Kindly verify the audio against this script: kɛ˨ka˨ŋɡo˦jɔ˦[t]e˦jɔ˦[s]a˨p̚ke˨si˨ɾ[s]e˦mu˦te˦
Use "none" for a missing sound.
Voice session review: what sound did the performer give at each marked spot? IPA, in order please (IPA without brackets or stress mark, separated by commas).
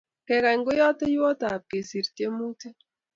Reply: t, t, t